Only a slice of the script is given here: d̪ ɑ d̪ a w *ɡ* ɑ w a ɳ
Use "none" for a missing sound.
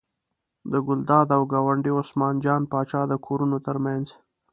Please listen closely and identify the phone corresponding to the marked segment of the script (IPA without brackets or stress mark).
ɡ